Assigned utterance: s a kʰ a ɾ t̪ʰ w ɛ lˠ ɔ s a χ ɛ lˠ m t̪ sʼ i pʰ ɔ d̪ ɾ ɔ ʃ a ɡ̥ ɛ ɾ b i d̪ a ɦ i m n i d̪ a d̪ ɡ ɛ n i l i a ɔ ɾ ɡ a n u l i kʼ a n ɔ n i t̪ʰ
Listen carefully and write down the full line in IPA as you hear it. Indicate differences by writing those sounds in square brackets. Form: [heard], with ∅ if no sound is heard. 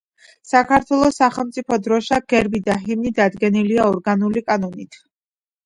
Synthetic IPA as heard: s a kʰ a ɾ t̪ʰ w ɛ lˠ ɔ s a χ ɛ lˠ m t̪ sʼ i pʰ ɔ d̪ ɾ ɔ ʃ a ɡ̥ ɛ ɾ b i d̪ a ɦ i m n i d̪ a d̪ ɡ ɛ n i l i a ɔ ɾ ɡ a n u l i kʼ a n ɔ n i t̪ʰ